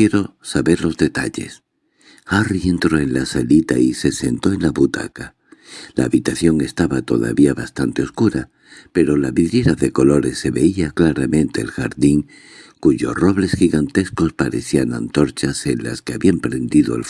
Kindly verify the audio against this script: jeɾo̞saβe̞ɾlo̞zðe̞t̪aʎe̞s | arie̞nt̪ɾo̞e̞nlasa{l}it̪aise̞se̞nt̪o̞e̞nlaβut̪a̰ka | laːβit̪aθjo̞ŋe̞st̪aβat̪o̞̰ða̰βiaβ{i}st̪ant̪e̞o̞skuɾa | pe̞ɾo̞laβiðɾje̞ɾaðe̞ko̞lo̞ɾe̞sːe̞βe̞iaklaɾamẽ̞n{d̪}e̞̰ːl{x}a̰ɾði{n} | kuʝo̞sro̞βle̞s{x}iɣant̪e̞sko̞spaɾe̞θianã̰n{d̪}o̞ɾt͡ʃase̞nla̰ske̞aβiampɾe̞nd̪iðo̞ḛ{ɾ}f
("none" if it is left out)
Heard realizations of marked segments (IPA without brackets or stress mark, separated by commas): l, a, t̪, x, ŋ, x, t̪, l